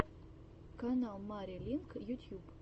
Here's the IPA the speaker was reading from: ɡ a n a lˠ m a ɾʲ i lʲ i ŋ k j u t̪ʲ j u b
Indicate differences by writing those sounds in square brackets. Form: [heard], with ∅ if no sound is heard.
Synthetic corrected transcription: [k] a n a lˠ m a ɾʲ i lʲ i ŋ k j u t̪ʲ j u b